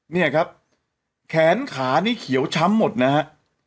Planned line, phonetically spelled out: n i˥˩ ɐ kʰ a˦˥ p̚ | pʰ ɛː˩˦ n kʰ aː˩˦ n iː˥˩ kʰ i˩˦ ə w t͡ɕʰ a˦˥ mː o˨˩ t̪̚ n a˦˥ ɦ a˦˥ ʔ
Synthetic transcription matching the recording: n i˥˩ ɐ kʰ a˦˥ p̚ | kʰ ɛː˩˦ n kʰ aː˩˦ n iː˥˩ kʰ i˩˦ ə w t͡ɕʰ a˦˥ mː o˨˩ t̪̚ n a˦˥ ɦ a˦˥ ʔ